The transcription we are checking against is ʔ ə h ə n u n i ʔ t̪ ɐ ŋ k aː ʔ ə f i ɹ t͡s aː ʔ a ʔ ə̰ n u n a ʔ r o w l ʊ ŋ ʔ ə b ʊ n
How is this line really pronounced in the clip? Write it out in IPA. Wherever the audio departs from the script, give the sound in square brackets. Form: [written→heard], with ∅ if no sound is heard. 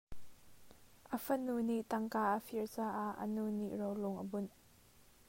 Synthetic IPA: ʔ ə [h→f] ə n u n i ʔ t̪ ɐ ŋ k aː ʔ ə f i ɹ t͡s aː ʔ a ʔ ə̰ n u n [a→i] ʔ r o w l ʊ ŋ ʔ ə b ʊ n